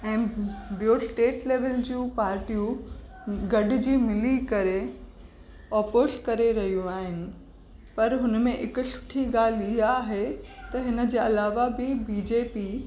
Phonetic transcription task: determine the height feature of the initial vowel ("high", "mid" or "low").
mid